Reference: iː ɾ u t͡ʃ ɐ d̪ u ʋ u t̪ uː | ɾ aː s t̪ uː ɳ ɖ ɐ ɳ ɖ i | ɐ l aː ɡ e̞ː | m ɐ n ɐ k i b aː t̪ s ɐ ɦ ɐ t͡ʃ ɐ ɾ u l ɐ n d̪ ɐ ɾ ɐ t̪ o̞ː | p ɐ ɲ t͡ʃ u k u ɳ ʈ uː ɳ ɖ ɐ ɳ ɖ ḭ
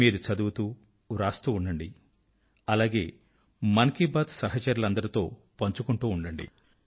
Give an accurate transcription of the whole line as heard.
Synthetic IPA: iː ɾ u t͡ʃ ɐ d̪ u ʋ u t̪ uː | ɾ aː s t̪ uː ɳ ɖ ɐ ɳ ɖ i | ɐ l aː ɡ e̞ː | m ɐ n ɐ k i b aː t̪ s ɐ ɦ ɐ t͡ʃ ɐ ɾ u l ɐ n d̪ ɐ ɾ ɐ t̪ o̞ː | p ɐ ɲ t͡ʃ u k u ɳ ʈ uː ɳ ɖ ɐ ɳ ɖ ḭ